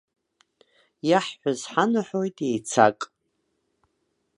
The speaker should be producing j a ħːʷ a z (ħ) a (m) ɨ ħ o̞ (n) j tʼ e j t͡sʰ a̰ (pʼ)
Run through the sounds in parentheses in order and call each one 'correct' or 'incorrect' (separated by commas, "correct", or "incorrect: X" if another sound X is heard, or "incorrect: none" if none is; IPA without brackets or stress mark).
correct, incorrect: n, incorrect: none, incorrect: kʼ